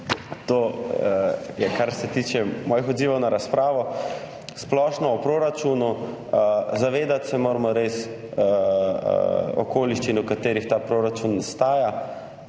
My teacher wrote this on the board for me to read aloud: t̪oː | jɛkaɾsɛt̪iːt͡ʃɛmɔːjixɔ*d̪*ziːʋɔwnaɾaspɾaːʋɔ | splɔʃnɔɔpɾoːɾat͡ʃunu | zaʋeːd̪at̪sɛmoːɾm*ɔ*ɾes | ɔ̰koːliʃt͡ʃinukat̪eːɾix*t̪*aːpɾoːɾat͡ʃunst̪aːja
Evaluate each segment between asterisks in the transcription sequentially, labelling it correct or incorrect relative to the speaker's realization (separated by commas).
correct, correct, correct